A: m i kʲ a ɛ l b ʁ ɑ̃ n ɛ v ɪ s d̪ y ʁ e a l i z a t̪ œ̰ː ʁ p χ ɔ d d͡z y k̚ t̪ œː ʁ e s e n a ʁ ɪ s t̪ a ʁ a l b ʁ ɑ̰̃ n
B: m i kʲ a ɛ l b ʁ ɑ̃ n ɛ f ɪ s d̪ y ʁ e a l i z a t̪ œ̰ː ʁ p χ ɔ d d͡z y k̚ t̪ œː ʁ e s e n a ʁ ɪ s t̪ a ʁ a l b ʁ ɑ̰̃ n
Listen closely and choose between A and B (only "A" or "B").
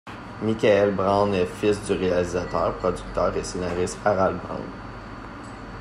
B